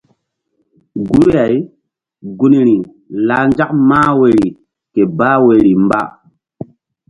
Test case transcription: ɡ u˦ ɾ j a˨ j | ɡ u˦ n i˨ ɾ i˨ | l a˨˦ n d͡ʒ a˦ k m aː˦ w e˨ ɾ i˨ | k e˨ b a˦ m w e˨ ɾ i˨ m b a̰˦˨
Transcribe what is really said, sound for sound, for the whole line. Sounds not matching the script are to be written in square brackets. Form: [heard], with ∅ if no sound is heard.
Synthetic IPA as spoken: ɡ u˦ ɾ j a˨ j | ɡ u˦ n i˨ ɾ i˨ | l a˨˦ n d͡ʒ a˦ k m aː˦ w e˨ ɾ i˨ | k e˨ b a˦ [∅] w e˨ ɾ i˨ m b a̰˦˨